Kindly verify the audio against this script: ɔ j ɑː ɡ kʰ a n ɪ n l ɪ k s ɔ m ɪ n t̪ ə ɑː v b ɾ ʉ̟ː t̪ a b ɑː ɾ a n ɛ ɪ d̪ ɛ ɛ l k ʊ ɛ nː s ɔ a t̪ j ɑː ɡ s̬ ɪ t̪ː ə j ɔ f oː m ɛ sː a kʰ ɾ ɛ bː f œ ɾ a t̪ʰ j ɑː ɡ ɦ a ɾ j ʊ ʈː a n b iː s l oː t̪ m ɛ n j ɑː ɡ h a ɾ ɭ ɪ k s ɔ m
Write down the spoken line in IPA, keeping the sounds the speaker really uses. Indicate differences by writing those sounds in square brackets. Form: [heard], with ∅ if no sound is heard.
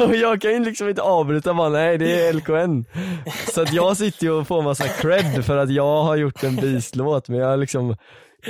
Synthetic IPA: ɔ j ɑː ɡ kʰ a n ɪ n l ɪ k s ɔ m ɪ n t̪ ə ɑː v b ɾ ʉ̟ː t̪ a b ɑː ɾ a n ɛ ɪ d̪ ɛ ɛ l k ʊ ɛ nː s ɔ a t̪ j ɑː ɡ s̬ ɪ t̪ː ə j ɔ f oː m [a] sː a kʰ ɾ ɛ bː f œ ɾ a [t̪] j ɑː ɡ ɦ a ɾ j ʊ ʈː [ɛ] n b iː s l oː t̪ m ɛ n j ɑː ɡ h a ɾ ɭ ɪ k s ɔ m